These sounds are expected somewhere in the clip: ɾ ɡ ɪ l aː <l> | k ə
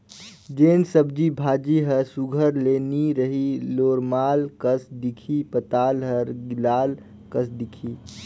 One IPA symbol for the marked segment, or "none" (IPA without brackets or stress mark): l